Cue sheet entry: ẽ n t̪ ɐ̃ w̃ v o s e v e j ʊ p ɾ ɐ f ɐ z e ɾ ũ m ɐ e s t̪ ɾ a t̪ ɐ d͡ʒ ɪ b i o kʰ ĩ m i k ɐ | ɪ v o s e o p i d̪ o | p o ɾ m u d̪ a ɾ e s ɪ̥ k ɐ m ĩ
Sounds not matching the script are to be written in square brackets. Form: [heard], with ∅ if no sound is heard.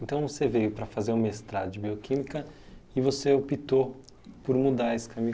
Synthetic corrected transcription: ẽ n t̪ ɐ̃ w̃ v o s e v e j ʊ p ɾ ɐ f [a] z e ɾ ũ m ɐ e s t̪ ɾ a [d̪] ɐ d͡ʒ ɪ b i o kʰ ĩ m i k ɐ | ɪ v o s e o p i [t̪] o | p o ɾ m u d̪ a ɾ e s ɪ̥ k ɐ m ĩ